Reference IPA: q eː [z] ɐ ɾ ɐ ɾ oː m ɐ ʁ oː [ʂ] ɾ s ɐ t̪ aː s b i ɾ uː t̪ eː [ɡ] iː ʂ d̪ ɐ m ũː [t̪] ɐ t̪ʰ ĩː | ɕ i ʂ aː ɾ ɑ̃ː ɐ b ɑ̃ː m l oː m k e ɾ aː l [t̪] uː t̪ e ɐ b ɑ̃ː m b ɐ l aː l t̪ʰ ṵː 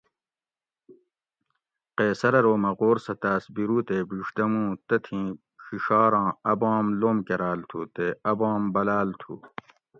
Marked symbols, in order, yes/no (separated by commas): no, no, no, yes, no